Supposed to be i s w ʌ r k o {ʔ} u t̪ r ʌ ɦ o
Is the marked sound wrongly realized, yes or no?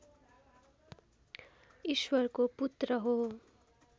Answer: yes